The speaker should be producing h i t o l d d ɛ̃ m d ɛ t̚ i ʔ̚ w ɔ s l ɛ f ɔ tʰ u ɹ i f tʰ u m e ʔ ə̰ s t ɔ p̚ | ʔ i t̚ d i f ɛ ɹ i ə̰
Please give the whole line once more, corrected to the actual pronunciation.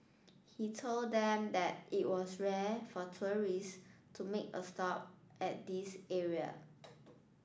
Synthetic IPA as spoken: h i tʰ o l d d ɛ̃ m d ɛ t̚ i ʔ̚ w ɔ s ɹ ɛ f ɔ tʰ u ɹ i s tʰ u m e k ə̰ s t ɔ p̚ | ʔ ɛ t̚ d i s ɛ ɹ i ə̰